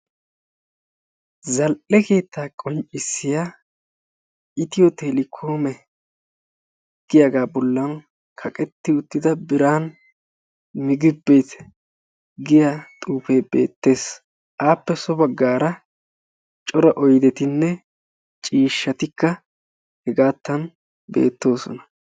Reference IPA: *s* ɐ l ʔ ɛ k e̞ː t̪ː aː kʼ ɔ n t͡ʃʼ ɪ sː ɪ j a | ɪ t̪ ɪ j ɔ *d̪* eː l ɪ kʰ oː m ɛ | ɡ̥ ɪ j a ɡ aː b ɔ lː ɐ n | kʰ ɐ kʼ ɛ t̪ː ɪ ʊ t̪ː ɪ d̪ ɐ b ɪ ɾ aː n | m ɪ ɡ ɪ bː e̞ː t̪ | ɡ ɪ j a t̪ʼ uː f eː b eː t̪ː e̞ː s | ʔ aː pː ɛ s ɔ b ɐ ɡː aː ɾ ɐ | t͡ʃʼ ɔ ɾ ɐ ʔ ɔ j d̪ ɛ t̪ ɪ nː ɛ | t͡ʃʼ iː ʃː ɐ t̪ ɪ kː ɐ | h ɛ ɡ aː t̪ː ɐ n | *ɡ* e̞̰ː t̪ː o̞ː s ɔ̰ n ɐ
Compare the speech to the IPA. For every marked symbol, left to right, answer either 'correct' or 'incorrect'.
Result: incorrect: z, incorrect: t̪, incorrect: b

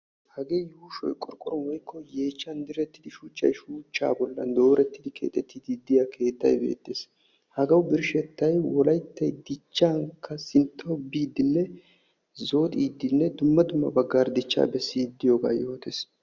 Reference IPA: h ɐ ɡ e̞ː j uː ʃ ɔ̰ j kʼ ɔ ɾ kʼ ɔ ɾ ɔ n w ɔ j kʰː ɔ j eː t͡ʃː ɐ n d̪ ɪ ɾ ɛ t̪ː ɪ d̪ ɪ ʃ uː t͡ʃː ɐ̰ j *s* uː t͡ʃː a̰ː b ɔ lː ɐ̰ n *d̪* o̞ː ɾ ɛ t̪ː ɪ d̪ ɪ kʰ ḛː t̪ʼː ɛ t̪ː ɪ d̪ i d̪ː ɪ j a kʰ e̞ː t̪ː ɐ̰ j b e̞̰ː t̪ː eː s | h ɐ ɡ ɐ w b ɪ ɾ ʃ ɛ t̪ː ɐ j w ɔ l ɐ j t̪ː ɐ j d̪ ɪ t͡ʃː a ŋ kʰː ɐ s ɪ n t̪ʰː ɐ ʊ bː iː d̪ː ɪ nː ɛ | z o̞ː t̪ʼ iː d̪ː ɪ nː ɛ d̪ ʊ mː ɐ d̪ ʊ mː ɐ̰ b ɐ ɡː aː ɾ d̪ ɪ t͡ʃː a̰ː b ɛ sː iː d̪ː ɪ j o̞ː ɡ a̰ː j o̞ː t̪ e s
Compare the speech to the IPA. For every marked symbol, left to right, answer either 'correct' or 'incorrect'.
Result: incorrect: ʃ, correct

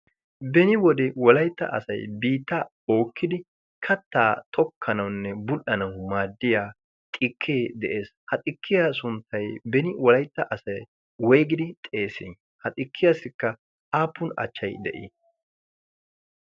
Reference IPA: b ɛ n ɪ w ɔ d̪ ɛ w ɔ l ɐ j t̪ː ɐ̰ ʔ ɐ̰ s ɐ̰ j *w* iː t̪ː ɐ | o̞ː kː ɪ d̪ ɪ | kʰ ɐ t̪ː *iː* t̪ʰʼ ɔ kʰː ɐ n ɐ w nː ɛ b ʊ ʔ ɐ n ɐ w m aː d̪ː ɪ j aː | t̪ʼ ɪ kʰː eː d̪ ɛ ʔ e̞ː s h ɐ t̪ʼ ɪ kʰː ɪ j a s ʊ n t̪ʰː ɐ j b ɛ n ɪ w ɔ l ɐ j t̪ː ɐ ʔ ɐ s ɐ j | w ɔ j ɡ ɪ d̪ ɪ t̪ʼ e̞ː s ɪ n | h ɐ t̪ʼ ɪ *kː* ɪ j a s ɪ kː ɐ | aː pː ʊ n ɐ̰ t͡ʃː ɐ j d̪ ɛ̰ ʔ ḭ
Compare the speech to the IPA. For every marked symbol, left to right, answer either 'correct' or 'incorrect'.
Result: incorrect: b, incorrect: aː, correct

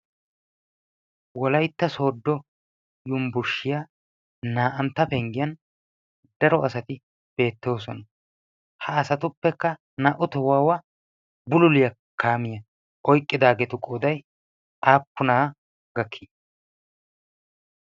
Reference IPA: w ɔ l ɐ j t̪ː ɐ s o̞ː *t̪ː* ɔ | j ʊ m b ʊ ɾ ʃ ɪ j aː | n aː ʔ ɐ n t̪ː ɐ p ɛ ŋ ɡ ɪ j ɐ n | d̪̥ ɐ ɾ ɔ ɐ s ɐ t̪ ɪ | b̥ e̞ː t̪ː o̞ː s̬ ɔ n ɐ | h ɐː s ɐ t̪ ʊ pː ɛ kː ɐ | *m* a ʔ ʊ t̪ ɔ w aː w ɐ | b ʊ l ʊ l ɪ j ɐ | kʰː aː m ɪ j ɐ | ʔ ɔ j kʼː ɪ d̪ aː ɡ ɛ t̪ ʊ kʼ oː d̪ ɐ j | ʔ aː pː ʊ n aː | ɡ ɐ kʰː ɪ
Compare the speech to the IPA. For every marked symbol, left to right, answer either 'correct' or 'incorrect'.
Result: incorrect: d̪ː, incorrect: n

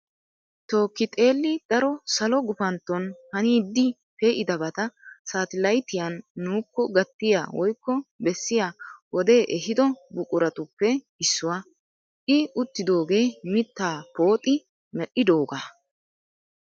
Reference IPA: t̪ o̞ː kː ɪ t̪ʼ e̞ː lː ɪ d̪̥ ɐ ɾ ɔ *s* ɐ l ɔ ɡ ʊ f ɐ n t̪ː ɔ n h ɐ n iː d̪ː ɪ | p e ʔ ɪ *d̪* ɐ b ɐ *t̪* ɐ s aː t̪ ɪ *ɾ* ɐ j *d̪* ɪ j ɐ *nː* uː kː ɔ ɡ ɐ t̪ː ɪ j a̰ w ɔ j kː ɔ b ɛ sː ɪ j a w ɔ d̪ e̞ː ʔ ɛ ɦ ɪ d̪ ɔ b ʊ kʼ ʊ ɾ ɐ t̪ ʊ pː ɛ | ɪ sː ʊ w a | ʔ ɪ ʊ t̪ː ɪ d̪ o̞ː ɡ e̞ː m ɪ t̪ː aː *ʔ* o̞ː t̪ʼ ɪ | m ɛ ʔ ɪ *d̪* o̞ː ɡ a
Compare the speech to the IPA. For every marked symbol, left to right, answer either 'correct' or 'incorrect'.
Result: correct, correct, correct, incorrect: l, incorrect: t̪, correct, incorrect: p, correct

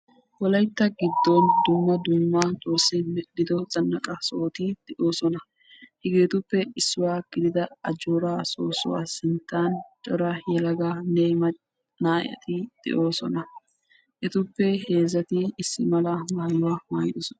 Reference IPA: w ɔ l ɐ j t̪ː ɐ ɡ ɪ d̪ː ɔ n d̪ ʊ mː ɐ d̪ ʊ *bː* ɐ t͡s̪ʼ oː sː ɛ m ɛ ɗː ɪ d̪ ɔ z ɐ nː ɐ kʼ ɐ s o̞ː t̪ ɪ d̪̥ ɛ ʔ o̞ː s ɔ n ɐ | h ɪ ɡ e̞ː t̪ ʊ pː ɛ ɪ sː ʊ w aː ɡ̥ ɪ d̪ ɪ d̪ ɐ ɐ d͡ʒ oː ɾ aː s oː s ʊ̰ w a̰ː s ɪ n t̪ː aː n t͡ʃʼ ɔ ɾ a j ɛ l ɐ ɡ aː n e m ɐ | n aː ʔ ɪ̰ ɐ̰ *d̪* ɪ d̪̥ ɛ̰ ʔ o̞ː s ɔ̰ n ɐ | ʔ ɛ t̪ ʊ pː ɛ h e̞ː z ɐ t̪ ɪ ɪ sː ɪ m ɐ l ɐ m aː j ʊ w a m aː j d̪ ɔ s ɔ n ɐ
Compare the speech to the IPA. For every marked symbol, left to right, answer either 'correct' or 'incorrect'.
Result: incorrect: mː, incorrect: t̪

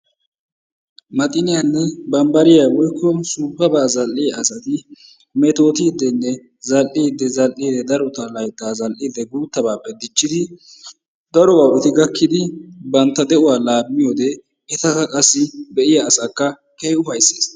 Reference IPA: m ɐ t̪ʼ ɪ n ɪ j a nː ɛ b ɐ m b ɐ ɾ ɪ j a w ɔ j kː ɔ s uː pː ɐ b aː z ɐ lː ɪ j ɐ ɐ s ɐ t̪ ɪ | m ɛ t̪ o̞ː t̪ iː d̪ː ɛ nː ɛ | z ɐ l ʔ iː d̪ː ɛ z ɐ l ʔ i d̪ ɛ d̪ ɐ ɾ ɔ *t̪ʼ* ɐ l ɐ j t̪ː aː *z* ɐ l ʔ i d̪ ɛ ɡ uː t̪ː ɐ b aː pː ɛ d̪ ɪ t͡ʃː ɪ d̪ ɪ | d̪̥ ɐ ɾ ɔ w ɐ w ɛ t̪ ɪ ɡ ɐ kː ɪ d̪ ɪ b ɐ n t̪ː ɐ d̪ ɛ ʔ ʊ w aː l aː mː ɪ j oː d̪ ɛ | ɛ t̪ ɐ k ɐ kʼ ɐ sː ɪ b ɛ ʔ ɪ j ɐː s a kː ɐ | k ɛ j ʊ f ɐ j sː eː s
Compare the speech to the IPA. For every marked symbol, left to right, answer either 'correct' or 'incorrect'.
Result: incorrect: t̪, correct

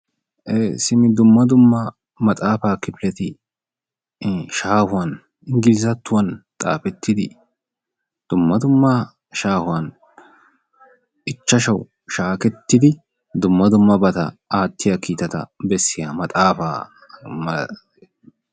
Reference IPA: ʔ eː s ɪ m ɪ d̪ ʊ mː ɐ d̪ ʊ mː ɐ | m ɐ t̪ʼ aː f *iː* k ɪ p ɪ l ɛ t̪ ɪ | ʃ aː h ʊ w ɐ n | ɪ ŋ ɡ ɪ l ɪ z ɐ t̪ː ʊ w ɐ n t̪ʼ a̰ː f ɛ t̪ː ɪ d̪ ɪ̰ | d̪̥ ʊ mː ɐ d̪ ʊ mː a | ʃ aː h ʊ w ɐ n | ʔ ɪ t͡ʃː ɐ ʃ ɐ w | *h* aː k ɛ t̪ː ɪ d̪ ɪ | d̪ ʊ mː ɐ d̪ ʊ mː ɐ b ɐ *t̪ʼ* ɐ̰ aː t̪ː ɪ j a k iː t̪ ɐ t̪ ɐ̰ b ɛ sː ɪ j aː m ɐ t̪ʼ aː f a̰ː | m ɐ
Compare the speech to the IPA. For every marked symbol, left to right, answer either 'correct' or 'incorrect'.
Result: incorrect: aː, incorrect: ʃ, incorrect: t̪

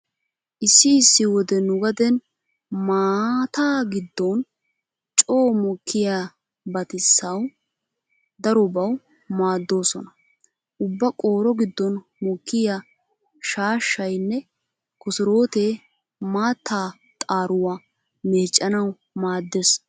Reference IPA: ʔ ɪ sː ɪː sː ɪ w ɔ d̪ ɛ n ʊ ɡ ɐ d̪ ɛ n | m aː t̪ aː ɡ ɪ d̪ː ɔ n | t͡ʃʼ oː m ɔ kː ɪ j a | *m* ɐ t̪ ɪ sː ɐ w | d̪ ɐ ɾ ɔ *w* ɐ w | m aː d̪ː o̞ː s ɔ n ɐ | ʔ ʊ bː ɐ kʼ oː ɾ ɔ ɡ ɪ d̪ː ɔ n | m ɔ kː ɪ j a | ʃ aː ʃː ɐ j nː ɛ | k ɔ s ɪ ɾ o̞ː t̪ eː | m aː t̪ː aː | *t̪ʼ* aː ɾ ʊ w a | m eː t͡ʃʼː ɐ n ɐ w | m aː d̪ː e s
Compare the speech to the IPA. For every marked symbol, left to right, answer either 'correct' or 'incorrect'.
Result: incorrect: b, incorrect: b, correct

